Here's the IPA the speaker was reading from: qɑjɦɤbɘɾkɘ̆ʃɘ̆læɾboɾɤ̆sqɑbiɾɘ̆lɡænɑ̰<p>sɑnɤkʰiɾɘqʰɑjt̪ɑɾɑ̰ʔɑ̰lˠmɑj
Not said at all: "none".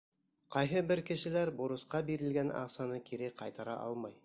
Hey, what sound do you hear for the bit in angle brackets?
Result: q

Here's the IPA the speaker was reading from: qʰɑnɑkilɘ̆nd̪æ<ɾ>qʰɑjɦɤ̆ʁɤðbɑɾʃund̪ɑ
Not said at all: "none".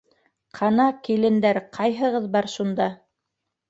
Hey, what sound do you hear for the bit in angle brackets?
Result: ɾ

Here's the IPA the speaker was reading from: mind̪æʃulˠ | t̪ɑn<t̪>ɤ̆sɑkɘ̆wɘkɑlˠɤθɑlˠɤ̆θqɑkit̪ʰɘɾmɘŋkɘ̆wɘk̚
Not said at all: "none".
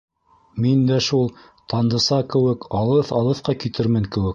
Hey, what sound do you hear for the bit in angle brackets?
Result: d̪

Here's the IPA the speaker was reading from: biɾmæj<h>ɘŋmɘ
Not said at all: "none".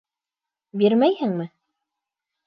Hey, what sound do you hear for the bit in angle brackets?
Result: h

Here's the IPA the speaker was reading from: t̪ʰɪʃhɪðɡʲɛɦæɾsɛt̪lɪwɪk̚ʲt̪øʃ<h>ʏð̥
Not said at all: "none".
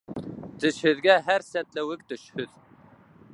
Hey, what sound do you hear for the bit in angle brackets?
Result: h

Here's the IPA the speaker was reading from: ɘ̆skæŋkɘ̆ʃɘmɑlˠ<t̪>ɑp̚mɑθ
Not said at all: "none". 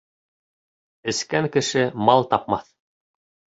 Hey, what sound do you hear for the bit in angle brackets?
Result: t̪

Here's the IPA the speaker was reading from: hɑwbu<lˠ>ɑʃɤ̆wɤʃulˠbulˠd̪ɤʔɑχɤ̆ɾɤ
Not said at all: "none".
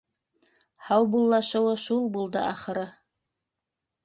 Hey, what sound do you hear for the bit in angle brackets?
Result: lˠː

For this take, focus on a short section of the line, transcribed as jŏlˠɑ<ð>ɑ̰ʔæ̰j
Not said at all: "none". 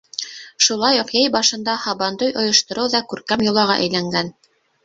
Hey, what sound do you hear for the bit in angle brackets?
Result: ʁ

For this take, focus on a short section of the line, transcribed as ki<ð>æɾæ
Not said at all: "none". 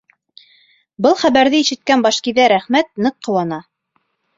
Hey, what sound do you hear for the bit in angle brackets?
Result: ð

